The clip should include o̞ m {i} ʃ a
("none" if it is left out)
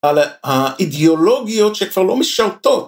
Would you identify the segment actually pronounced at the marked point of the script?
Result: i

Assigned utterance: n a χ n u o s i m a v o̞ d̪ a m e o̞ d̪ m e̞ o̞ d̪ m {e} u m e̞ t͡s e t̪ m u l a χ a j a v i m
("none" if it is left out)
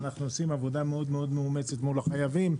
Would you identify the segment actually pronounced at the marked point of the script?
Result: e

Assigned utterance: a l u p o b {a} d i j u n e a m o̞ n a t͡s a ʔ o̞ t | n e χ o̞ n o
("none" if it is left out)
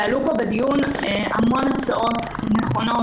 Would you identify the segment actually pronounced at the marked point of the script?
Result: e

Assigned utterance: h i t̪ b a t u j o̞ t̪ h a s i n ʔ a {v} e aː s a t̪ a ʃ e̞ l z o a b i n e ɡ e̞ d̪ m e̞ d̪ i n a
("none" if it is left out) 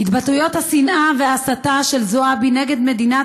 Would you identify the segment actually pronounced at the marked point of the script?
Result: v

